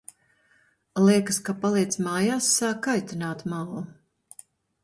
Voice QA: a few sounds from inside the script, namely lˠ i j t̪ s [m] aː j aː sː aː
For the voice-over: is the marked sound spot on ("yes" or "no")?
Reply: yes